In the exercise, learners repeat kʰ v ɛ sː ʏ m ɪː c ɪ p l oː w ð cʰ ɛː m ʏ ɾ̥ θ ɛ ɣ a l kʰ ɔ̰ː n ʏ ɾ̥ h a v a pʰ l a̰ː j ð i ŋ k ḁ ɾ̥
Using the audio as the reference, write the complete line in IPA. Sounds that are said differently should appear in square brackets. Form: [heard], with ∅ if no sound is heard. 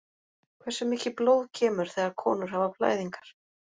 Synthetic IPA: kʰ v ɛ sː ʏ m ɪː c ɪ p l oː w ð cʰ ɛː m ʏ ɾ̥ θ ɛ ɣ a [ɾ] kʰ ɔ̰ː n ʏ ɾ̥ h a v a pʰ l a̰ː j ð i ŋ k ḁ ɾ̥